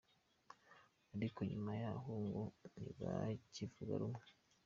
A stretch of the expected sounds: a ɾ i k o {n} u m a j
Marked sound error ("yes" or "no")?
yes